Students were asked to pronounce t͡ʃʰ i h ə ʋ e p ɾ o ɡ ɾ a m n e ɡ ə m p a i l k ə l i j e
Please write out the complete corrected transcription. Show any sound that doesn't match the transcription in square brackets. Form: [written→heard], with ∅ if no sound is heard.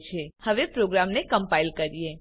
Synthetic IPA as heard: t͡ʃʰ [i→e] h ə ʋ e p ɾ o ɡ ɾ a m n e [ɡ→k] ə m p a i l k ə [l→ɾ] i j e